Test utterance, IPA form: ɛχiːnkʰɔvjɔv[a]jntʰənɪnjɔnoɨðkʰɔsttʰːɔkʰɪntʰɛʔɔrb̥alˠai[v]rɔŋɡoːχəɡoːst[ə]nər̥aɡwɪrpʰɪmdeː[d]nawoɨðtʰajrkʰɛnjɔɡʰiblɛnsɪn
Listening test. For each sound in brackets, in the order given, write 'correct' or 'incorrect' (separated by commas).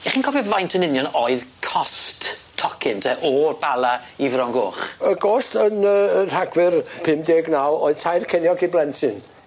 correct, correct, correct, incorrect